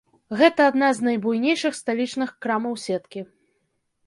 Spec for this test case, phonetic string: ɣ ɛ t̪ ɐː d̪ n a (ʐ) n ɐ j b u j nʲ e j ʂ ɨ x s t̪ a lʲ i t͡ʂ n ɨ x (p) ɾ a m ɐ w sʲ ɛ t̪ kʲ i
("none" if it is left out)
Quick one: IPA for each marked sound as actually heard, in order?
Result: z, k

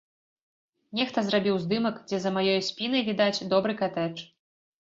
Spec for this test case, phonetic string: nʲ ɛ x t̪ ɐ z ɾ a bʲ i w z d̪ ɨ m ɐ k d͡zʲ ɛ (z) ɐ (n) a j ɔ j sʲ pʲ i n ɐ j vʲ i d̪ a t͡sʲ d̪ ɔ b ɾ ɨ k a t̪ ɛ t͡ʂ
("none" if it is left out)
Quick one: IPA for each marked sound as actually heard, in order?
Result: z, m

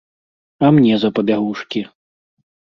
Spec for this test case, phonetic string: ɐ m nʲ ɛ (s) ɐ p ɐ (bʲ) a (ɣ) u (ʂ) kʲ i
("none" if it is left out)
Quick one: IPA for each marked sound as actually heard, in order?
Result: z, bʲ, ɣ, ʂ

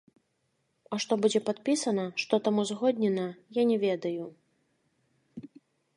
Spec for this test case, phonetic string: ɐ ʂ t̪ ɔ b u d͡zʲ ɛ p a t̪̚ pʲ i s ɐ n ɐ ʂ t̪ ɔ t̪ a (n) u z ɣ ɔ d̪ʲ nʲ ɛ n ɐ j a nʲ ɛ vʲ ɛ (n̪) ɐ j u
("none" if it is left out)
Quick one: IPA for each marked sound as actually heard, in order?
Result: m, d̪

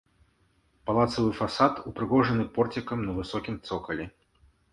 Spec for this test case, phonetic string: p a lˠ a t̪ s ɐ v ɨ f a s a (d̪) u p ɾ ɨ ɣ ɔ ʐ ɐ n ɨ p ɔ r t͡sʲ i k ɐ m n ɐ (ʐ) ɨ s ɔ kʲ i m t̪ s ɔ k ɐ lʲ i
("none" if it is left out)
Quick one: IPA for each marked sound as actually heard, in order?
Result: t̪, v

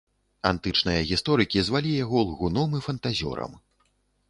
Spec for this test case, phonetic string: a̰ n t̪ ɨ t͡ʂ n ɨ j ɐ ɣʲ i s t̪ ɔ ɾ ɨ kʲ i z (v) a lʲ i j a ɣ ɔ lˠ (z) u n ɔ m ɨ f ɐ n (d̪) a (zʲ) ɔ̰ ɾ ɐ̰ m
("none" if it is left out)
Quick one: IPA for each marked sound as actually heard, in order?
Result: v, ɣ, t̪, zʲ

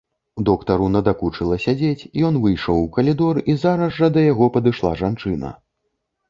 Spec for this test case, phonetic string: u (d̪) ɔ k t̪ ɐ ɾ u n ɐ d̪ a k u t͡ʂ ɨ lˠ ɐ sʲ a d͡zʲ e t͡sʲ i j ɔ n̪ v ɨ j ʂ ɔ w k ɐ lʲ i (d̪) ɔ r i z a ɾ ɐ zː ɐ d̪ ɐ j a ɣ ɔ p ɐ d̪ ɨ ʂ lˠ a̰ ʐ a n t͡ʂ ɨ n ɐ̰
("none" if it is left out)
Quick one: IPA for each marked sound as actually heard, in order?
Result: d̪, d̪

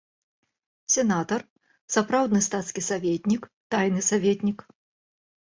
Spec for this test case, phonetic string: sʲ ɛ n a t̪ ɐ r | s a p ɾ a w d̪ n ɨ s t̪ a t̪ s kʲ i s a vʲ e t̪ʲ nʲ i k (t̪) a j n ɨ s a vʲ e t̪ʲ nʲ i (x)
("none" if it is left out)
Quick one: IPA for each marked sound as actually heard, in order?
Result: t̪, k

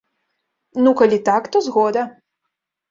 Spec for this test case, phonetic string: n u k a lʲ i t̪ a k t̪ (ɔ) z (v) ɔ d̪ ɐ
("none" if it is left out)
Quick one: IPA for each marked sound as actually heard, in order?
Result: ɔ, ɣ

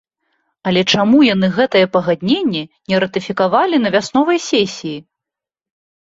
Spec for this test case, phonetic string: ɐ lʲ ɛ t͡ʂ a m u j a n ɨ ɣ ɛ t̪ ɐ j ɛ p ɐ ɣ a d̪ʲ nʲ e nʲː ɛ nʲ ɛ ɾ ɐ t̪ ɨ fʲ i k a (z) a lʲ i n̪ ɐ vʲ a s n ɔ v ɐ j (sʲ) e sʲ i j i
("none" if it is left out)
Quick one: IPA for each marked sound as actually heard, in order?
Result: v, sʲ

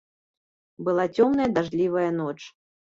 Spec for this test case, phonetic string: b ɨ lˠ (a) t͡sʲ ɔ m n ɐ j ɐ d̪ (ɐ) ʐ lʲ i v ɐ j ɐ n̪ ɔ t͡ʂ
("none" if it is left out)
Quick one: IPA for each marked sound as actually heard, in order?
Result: a, a

